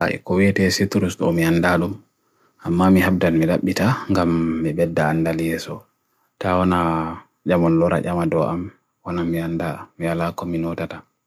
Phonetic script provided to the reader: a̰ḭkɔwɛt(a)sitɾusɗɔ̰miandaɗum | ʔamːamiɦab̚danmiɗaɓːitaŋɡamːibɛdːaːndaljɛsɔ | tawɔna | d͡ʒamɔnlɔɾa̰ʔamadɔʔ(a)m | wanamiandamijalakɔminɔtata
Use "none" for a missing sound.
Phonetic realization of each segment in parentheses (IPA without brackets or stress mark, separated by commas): ɛ, a